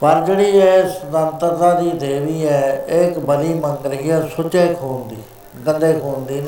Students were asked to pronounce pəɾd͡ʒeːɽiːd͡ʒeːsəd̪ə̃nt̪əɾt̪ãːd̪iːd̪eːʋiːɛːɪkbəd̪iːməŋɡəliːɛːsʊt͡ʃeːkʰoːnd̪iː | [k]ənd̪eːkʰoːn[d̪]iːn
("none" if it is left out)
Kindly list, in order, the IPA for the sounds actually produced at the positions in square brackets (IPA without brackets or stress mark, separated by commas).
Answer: ɡ, d̪